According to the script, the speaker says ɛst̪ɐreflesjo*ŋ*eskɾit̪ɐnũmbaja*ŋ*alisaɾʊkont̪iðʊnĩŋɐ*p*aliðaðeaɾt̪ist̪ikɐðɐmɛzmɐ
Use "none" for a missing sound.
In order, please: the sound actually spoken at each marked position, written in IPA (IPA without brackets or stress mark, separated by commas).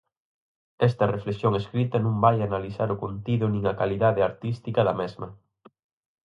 ŋ, n, k